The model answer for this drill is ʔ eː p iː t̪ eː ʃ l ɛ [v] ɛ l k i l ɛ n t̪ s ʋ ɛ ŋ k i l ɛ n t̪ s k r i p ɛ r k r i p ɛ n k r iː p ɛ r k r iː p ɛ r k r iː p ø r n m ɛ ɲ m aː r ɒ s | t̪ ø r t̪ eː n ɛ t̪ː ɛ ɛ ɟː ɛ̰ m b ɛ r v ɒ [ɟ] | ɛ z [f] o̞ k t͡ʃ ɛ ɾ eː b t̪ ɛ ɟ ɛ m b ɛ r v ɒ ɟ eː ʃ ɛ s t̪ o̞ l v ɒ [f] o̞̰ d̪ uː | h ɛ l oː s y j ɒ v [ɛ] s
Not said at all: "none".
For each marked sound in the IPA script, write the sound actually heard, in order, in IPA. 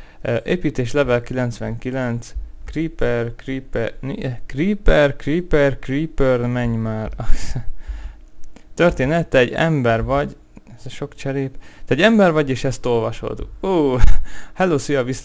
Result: v, ɟ, ʃ, ʃ, i

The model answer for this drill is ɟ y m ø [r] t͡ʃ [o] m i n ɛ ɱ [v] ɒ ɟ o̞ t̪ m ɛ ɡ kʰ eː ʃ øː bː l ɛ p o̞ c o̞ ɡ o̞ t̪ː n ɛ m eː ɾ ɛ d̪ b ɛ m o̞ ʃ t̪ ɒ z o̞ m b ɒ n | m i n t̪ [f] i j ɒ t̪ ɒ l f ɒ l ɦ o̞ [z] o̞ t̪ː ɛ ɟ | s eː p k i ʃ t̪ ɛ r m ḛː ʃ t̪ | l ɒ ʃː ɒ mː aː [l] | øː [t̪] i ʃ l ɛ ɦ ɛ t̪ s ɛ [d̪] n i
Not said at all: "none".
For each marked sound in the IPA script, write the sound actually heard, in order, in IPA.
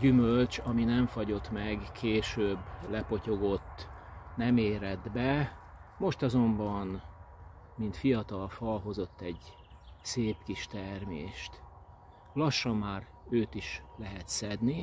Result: l, ɒ, f, f, z, r, t̪, d̪

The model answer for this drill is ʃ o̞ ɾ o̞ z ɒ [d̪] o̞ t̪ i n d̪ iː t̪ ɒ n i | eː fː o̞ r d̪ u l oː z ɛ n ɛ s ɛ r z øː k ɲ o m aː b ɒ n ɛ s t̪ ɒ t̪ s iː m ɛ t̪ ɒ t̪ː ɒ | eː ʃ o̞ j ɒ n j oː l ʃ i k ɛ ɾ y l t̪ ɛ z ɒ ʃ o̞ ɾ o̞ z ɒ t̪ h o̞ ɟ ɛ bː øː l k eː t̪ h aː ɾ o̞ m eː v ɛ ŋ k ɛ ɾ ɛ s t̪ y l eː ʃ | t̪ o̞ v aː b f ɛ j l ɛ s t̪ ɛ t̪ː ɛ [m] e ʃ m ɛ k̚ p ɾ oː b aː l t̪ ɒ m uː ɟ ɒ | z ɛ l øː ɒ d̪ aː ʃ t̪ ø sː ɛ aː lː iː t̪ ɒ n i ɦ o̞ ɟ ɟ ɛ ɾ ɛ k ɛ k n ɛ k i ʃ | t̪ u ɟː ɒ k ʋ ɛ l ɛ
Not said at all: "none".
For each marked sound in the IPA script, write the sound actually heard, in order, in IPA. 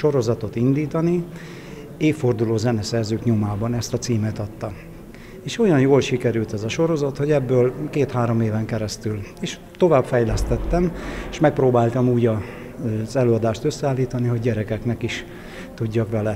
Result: t̪, m

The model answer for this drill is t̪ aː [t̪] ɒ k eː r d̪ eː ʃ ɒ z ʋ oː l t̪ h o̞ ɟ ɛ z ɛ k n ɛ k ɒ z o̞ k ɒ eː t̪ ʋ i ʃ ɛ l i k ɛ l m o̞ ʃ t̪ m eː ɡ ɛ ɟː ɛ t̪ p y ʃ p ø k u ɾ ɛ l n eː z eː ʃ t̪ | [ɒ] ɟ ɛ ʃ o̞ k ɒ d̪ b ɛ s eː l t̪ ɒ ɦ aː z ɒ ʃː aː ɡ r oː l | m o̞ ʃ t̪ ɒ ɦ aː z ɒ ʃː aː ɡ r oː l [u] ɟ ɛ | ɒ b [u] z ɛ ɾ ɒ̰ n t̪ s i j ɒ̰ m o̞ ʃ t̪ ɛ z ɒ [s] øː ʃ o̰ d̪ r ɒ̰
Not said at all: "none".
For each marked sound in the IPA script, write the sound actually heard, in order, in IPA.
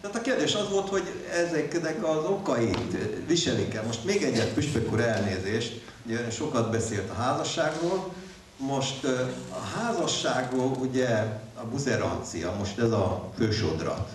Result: t̪, u, u, u, f

